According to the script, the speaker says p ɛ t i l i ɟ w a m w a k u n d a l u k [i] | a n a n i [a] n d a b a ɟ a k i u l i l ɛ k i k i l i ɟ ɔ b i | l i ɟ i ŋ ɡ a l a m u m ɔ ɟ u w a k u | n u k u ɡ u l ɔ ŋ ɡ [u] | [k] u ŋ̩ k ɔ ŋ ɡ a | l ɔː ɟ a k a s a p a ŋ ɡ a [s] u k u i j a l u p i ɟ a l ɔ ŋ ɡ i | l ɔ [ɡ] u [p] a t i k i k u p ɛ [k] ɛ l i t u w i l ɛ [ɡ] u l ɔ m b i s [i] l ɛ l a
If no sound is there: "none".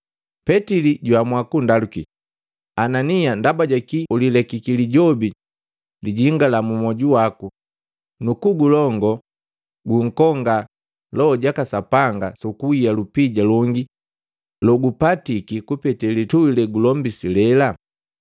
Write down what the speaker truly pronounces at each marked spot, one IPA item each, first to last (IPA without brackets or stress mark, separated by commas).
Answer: i, a, ɔ, ɡ, s, ɡ, p, t, ɡ, i